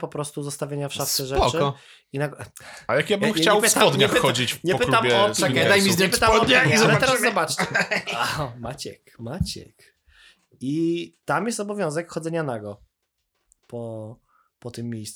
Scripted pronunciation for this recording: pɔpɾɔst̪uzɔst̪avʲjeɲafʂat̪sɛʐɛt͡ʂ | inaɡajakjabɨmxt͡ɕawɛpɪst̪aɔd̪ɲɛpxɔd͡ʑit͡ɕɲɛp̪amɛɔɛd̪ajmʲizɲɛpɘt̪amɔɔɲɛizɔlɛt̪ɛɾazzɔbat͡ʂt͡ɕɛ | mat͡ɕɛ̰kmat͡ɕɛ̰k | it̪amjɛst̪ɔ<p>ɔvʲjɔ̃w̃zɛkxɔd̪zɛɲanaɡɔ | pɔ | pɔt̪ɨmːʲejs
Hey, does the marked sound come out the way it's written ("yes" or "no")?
no